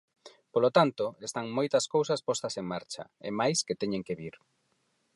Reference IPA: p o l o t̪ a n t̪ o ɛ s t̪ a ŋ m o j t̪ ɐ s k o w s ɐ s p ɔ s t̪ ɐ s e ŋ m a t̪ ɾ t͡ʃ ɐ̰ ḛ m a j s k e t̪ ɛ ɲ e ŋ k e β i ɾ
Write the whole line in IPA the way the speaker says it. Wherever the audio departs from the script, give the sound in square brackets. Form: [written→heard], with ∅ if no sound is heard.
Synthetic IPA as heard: p o l o t̪ a n t̪ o [ɛ→e] s t̪ a ŋ m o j t̪ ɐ s k o w s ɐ s p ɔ s t̪ ɐ s e ŋ m a [t̪→∅] ɾ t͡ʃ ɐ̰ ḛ m a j s k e t̪ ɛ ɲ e ŋ k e β i ɾ